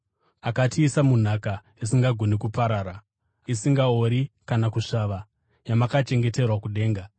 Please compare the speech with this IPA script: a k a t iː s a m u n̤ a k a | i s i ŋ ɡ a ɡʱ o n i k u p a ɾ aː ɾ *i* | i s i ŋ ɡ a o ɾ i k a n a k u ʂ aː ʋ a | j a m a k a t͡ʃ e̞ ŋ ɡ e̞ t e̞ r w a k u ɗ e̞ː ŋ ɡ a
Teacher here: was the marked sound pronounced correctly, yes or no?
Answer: no